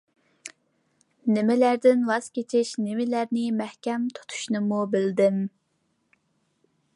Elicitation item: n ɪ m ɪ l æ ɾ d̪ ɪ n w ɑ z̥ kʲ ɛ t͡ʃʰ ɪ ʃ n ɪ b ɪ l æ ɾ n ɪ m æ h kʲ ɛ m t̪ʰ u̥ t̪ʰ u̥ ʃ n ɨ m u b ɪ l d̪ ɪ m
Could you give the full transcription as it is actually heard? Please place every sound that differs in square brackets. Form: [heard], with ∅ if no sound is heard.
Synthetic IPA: n ɪ m ɪ l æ ɾ d̪ ɪ n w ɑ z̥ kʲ [e] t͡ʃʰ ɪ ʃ n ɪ [m] ɪ l æ ɾ n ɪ m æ h kʲ ɛ m t̪ʰ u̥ t̪ʰ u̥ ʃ n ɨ m u b ɪ l d̪ ɪ m